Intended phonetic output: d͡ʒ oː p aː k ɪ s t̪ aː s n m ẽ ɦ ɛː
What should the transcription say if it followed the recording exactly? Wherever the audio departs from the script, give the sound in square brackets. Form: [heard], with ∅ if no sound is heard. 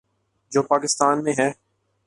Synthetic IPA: d͡ʒ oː p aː k ɪ s t̪ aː [∅] n m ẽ ɦ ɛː

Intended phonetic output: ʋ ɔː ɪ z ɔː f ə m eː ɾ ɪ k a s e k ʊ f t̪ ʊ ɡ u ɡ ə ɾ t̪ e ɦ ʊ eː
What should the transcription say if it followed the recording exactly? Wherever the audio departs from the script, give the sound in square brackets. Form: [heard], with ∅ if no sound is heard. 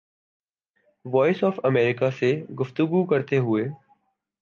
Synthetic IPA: ʋ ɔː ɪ [s] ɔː f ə m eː ɾ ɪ k a s e [ɡ] ʊ f t̪ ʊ ɡ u [k] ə ɾ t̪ e ɦ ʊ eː

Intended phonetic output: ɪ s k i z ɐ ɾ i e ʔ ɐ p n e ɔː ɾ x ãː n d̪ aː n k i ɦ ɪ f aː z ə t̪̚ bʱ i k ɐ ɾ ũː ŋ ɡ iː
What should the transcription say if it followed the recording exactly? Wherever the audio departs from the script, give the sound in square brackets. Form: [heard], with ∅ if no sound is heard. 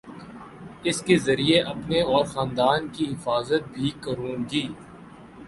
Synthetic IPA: ɪ s k [e] z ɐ ɾ i e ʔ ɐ p n e ɔː ɾ x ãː n d̪ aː n k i ɦ ɪ f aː z ə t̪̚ bʱ i k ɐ ɾ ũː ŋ ɡ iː

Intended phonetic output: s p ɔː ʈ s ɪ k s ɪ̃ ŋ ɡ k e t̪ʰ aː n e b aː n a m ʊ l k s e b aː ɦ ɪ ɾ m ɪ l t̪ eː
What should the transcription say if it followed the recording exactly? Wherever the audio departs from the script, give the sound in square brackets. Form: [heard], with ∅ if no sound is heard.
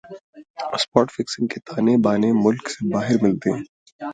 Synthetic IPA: s p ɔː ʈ [f] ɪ k s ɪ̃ ŋ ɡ k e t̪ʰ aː n e b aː n [e] m ʊ l k s e b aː ɦ ɪ ɾ m ɪ l t̪ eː

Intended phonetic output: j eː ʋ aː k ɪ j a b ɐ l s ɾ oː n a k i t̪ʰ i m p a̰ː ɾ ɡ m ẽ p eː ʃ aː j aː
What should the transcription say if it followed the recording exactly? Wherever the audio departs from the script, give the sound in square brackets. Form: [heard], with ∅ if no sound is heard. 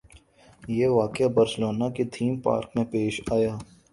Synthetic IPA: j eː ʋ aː k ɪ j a b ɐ [ɾ] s [l] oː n a k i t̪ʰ [iː] m p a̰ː ɾ [k] m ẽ p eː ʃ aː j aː

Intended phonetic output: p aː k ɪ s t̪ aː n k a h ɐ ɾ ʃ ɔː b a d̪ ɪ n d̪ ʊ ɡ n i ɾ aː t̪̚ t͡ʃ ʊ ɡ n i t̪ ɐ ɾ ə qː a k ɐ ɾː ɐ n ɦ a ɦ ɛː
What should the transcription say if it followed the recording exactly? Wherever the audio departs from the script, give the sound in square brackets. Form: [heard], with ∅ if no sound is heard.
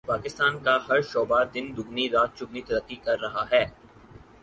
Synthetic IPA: p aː k ɪ s t̪ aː n k a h ɐ ɾ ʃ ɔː b a d̪ ɪ n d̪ ʊ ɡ n i ɾ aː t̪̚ t͡ʃ ʊ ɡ n i t̪ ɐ ɾ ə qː [i] k ɐ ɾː ɐ [∅] ɦ a ɦ ɛː

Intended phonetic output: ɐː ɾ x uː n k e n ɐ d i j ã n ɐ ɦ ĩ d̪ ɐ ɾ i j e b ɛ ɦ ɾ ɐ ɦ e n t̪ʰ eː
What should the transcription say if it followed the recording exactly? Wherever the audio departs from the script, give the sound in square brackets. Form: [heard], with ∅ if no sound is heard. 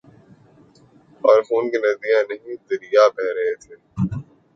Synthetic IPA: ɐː ɾ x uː n k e n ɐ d i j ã n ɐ ɦ ĩ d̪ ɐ ɾ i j [a] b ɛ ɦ ɾ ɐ ɦ e [∅] t̪ʰ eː

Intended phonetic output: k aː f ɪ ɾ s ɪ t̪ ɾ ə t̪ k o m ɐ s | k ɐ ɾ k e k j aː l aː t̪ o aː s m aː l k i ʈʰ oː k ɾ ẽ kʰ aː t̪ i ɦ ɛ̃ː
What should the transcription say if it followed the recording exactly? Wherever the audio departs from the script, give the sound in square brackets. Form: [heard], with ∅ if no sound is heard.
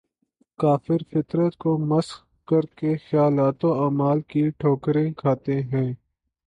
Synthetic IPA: k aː f ɪ ɾ [f] ɪ t̪ ɾ ə t̪ k o m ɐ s | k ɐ ɾ k e [x] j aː l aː t̪ o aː [∅] m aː l k i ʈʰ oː k ɾ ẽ kʰ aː t̪ [e] ɦ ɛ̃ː

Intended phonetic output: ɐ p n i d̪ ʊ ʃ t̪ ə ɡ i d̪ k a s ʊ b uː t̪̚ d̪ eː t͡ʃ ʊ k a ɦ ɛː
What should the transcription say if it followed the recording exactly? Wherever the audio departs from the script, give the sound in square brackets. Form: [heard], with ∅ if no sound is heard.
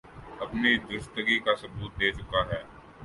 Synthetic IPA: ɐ p n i d̪ ʊ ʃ t̪ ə ɡ i [∅] k a s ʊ b uː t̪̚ d̪ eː t͡ʃ ʊ k a ɦ ɛː

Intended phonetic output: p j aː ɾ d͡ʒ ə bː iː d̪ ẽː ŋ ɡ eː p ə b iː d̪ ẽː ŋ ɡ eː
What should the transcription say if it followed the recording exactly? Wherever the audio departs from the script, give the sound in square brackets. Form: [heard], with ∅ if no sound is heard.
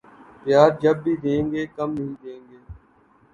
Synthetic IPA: p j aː ɾ d͡ʒ ə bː iː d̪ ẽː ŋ ɡ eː [k] ə [m] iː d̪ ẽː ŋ ɡ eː

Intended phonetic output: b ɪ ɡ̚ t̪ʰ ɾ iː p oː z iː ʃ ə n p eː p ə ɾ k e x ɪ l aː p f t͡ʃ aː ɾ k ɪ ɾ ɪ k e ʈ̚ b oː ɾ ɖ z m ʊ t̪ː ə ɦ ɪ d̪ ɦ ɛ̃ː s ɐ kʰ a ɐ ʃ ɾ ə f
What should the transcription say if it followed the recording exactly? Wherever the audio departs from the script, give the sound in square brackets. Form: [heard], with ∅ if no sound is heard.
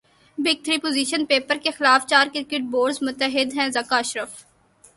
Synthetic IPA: b ɪ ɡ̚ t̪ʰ ɾ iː p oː z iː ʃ ə n p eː p ə ɾ k e x ɪ l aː [∅] f t͡ʃ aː ɾ k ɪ ɾ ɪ k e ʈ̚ b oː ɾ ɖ z m ʊ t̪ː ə ɦ ɪ d̪ ɦ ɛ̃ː [z] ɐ [k] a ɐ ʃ ɾ ə f

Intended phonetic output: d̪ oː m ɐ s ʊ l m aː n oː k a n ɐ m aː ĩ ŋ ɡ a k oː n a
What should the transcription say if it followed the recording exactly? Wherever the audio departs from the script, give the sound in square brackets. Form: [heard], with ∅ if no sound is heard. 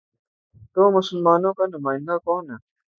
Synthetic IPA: [t̪] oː m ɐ s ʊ l m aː n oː k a n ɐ m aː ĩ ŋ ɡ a k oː n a

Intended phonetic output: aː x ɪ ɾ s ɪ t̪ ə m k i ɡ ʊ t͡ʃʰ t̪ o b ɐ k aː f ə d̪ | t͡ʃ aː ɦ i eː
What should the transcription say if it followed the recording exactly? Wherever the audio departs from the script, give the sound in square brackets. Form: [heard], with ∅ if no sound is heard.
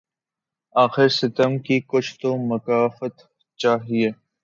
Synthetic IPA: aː x ɪ ɾ s ɪ t̪ ə m k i [k] ʊ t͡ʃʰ t̪ o [m] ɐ k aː f ə [t̪] | t͡ʃ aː ɦ i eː

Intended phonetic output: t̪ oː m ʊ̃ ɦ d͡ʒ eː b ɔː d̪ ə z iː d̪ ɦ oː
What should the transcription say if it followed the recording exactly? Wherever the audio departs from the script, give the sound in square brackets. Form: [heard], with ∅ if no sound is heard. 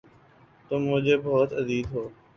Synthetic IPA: t̪ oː m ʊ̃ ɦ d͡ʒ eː b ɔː [t̪] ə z iː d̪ ɦ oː

